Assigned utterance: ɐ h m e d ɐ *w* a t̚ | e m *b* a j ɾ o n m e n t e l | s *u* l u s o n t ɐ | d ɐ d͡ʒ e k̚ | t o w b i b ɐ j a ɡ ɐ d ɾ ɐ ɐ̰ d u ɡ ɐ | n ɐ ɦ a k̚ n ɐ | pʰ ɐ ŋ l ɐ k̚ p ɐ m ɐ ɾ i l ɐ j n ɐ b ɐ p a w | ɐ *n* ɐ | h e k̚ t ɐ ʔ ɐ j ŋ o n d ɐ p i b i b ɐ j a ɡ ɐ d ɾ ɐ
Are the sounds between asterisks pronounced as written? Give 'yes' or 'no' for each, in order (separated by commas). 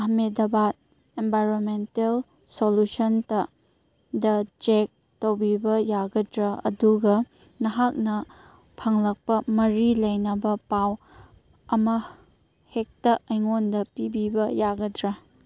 no, yes, no, no